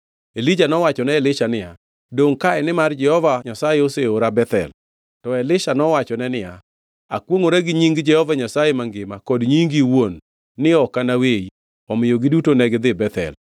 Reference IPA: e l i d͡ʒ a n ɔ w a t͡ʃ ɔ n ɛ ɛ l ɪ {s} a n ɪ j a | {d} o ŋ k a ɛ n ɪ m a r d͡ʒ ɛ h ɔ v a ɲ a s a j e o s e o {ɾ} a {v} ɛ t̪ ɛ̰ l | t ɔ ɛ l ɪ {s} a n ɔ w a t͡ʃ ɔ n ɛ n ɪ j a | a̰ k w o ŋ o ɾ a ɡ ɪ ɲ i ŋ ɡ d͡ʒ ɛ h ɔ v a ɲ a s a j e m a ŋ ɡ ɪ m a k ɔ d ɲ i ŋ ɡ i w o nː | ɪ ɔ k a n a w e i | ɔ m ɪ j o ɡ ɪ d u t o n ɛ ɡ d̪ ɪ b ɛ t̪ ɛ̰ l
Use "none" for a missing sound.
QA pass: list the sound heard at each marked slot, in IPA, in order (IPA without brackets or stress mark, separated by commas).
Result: ʃ, d, ɾ, b, ʃ